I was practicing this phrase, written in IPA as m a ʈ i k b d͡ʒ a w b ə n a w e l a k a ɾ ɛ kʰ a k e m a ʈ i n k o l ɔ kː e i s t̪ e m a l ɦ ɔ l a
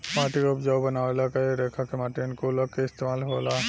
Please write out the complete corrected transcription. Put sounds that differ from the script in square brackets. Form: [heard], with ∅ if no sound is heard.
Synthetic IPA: m a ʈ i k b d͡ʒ a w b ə n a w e l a k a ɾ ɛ kʰ a k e m a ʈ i n k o l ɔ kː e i s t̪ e m a l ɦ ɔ l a